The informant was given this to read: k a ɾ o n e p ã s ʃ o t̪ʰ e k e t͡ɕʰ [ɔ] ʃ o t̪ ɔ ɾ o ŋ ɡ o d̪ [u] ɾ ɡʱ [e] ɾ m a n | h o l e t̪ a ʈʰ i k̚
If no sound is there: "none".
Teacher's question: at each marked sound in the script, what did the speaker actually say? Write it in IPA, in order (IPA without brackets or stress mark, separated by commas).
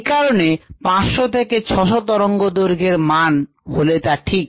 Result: ɔ, o, e